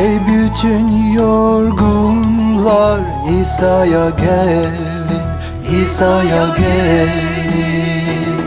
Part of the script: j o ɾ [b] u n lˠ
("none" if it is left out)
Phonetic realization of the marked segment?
ɡ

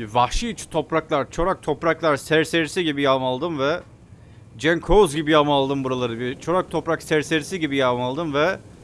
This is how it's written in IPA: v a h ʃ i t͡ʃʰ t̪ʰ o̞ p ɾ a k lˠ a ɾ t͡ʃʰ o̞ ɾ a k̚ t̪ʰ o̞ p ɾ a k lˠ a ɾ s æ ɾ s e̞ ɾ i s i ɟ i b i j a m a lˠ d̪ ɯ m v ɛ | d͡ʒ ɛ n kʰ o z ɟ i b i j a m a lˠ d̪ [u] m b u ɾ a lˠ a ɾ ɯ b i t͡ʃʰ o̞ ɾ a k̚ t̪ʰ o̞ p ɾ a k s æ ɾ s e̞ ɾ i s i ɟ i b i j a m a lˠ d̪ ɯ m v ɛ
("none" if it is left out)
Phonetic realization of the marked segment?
ɯ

